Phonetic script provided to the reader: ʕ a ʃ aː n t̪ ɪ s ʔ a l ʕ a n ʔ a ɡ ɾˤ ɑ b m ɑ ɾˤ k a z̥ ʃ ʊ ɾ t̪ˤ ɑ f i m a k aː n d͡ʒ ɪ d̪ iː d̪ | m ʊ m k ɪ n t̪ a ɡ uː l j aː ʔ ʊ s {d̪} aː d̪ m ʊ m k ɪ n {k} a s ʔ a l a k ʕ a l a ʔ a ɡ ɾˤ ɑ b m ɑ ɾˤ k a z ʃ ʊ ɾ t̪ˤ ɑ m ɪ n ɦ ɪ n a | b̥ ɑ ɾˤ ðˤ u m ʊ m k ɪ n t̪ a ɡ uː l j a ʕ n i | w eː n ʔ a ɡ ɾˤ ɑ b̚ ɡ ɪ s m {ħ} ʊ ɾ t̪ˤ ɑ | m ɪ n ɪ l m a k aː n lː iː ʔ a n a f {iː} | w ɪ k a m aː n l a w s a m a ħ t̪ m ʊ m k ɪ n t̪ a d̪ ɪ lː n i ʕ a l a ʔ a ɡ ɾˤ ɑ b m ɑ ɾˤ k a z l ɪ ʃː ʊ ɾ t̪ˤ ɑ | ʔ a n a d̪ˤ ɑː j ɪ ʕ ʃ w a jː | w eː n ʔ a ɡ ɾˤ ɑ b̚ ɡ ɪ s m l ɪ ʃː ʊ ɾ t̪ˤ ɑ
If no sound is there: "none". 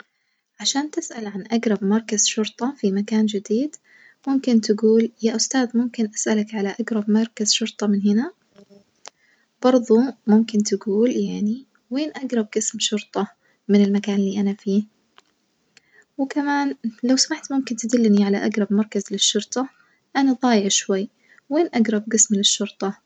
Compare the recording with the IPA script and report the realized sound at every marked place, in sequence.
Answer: t̪, ʔ, ʃ, iː

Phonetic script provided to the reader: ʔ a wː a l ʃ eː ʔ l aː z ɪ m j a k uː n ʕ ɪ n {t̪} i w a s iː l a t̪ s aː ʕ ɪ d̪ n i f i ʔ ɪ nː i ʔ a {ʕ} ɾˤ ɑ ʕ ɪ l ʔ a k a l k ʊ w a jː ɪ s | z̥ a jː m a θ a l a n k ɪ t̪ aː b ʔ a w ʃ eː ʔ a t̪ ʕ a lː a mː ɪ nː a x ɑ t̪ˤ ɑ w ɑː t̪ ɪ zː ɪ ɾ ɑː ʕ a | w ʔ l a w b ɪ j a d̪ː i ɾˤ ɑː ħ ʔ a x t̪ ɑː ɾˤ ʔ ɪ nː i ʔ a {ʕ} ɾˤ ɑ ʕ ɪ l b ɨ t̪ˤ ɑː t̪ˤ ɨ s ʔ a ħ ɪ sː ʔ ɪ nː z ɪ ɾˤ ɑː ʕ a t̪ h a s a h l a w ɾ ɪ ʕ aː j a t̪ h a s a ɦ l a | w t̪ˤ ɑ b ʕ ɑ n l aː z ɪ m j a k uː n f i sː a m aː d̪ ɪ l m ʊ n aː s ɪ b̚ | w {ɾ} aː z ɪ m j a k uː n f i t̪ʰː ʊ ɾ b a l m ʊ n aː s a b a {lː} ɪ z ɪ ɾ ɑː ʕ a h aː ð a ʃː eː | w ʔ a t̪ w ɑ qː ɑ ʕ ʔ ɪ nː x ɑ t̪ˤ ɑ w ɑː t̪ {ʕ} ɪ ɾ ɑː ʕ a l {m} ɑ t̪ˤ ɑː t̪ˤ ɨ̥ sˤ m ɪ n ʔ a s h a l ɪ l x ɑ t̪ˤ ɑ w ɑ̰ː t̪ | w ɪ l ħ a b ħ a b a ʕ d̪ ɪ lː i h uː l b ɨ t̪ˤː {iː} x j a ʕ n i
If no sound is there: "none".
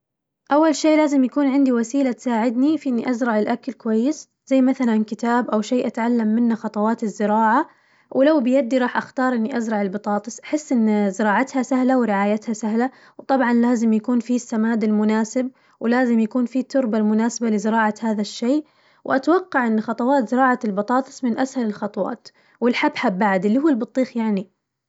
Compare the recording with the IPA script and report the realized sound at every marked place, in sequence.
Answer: d̪, z, z, l, l, z, b, iː

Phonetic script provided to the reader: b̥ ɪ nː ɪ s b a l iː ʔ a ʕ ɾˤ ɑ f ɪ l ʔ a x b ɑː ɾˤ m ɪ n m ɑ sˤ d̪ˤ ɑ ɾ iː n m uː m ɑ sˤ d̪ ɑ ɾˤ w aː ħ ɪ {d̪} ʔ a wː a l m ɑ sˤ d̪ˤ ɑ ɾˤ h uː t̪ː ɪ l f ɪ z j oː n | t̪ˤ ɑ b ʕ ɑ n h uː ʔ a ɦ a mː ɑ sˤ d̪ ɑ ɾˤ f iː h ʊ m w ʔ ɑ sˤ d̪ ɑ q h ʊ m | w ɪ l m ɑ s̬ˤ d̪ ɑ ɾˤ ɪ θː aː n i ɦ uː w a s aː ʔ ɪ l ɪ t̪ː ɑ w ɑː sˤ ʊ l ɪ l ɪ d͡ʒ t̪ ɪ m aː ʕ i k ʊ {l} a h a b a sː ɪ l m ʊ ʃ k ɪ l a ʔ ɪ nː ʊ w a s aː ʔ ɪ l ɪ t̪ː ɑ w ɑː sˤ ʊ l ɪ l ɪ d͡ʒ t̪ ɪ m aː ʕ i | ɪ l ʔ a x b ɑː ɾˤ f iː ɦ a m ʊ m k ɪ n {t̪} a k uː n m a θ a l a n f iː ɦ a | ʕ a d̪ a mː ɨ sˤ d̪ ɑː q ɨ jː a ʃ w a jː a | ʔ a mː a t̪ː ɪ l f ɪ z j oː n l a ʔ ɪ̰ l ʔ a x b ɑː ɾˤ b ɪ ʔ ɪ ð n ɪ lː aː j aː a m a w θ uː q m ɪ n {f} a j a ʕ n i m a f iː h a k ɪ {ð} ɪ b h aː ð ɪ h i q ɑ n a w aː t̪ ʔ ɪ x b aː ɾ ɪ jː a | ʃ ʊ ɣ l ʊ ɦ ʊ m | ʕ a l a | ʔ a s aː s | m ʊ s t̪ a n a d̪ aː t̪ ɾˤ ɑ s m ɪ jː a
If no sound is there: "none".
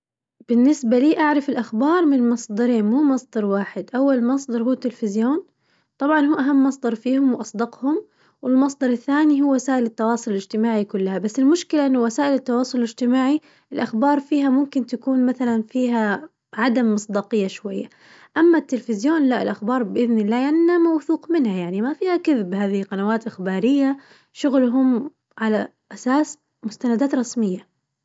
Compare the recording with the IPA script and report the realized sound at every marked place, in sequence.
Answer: d̪, lː, t̪, h, ð

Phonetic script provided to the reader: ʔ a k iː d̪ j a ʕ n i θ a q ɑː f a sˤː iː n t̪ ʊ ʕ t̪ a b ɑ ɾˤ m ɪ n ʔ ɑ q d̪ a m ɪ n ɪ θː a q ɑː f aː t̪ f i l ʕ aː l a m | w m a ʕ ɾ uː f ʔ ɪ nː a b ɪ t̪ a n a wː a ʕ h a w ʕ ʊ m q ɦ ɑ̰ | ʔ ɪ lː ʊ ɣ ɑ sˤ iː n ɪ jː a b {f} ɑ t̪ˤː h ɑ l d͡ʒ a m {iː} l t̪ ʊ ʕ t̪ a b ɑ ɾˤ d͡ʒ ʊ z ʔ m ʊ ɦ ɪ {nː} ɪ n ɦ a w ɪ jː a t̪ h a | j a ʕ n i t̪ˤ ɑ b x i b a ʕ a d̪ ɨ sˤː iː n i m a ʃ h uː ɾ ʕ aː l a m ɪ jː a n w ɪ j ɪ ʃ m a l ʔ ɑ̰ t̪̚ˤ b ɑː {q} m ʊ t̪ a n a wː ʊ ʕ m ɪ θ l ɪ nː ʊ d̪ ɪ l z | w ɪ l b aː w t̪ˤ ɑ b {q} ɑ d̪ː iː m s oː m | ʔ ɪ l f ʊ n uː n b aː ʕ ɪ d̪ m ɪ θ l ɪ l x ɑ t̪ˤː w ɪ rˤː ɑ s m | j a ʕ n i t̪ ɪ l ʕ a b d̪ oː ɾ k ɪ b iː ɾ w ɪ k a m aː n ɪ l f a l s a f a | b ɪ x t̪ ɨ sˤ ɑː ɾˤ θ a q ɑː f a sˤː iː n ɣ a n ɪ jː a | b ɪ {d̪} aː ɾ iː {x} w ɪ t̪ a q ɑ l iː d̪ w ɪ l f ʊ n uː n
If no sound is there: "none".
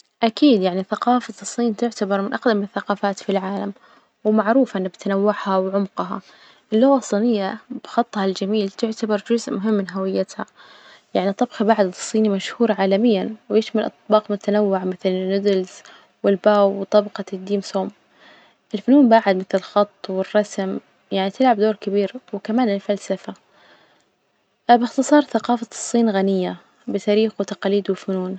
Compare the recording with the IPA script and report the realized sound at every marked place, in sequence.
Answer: x, iː, mː, q, q, t̪, x

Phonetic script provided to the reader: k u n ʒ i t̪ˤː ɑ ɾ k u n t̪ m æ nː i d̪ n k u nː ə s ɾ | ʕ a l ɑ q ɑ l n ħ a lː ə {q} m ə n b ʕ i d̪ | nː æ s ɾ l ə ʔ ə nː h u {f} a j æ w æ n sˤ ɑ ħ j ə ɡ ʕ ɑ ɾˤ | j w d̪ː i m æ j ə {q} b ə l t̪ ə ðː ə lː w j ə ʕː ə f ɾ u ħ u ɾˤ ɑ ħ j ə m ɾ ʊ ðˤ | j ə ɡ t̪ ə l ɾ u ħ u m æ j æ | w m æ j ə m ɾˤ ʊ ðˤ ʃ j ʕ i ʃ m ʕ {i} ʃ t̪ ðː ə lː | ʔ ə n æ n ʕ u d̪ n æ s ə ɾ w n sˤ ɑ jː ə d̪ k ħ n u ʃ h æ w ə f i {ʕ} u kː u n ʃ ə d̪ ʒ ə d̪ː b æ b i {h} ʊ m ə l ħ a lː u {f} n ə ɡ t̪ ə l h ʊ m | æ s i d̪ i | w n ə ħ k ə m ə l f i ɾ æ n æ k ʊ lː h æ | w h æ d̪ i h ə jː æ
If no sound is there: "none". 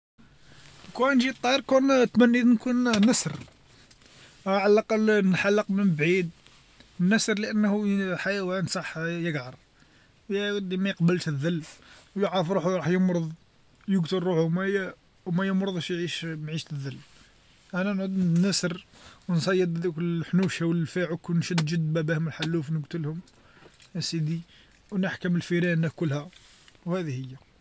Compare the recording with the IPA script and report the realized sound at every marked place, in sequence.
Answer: q, ħ, q, i, ʕ, h, f

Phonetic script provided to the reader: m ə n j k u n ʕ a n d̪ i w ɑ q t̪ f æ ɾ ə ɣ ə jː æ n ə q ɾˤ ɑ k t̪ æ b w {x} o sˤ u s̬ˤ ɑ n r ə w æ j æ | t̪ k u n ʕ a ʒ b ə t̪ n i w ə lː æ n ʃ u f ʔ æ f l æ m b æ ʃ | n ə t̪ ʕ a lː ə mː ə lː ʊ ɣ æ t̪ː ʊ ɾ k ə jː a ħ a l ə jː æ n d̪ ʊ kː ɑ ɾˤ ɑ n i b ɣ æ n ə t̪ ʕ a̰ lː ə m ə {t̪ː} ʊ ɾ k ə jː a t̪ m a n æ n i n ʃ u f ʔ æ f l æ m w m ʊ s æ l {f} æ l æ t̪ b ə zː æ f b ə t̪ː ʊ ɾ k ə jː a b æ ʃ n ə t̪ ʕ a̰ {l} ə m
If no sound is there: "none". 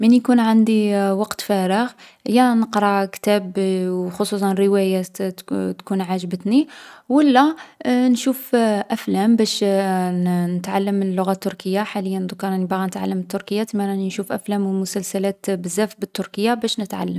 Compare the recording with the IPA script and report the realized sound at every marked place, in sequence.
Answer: x, t̪ː, s, lː

